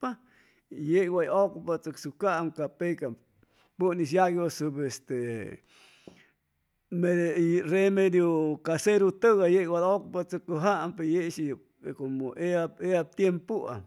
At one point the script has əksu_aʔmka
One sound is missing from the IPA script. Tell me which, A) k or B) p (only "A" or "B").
A